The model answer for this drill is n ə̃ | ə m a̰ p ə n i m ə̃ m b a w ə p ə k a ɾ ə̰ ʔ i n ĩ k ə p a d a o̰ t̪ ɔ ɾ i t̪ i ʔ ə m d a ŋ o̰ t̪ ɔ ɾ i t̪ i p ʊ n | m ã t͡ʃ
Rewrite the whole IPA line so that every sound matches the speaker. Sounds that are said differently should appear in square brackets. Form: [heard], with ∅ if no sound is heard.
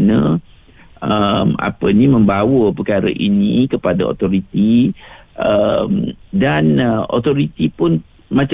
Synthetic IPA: n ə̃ | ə m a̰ p ə n i m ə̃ m b a w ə p ə k a ɾ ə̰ ʔ i n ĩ k ə p a d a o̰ t̪ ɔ ɾ i t̪ i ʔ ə m d a [n] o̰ t̪ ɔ ɾ i t̪ i p ʊ n | m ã t͡ʃ